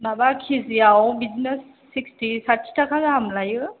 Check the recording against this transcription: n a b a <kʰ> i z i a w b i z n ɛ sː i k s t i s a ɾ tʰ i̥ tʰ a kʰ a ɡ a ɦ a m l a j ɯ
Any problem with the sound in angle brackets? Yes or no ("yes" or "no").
no